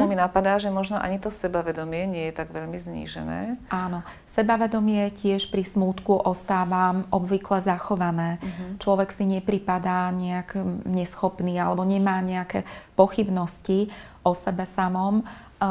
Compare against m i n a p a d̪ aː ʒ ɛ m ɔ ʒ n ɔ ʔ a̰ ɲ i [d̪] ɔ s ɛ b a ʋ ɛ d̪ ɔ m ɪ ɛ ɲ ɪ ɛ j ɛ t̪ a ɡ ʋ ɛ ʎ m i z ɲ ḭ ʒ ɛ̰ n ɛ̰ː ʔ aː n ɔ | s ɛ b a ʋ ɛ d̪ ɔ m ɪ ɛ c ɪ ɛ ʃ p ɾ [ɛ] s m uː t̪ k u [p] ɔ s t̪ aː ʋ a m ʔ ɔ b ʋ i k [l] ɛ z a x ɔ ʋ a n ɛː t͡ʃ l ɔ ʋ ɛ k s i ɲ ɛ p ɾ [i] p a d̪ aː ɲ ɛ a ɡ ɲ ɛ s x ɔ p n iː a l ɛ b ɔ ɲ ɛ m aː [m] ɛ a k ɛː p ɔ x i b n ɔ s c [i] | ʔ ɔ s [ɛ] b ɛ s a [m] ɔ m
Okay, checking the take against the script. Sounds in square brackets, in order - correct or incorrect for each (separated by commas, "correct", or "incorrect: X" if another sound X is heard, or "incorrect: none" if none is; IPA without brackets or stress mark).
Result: incorrect: t̪, incorrect: i, incorrect: ʔ, correct, correct, incorrect: ɲ, correct, correct, correct